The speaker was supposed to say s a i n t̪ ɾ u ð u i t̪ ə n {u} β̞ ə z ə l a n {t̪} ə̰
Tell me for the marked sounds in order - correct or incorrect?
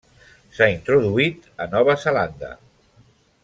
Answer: incorrect: ɔ, incorrect: d̪

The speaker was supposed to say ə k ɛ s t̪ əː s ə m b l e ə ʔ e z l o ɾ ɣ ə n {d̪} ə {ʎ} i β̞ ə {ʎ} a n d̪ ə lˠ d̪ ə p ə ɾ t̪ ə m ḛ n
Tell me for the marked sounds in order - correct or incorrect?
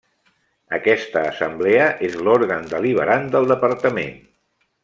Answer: correct, incorrect: l, incorrect: ɾ

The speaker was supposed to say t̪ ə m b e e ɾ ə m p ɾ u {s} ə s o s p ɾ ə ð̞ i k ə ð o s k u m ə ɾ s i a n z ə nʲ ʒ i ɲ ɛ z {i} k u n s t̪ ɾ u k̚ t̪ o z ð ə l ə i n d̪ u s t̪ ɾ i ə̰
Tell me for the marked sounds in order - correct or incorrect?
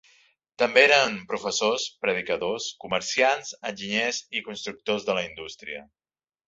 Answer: incorrect: f, correct

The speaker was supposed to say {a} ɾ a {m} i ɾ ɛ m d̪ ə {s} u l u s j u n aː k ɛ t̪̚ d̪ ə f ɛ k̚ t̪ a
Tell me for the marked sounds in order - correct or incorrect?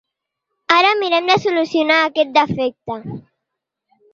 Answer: correct, correct, correct

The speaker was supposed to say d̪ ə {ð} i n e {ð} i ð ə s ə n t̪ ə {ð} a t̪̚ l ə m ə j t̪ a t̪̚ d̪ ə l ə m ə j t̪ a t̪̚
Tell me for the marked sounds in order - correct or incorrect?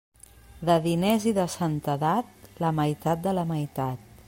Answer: correct, incorrect: z, correct

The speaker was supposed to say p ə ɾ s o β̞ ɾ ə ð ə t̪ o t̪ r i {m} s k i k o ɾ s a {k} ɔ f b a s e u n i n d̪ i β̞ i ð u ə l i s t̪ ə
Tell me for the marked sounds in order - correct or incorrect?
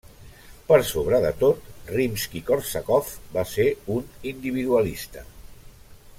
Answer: correct, correct

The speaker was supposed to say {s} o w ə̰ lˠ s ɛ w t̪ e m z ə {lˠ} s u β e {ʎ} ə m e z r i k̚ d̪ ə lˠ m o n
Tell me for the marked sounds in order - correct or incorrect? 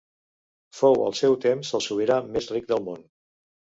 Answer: incorrect: f, correct, incorrect: ɾ

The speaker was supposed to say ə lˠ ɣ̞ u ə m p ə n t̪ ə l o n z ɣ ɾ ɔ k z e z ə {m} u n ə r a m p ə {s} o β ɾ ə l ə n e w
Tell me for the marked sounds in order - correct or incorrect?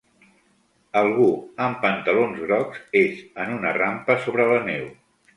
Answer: incorrect: n, correct

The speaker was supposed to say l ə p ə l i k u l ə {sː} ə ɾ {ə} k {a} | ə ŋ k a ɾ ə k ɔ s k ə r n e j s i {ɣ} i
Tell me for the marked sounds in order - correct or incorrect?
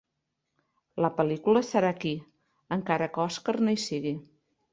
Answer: incorrect: s, incorrect: a, incorrect: i, correct

